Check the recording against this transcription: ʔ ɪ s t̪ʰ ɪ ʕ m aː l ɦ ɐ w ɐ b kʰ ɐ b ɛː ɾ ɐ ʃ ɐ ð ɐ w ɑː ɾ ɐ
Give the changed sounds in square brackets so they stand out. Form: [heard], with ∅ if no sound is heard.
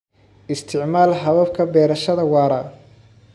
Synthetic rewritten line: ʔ ɪ s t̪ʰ ɪ ʕ m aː l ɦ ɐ [β] ɐ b kʰ ɐ b ɛː ɾ ɐ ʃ ɐ ð ɐ w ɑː ɾ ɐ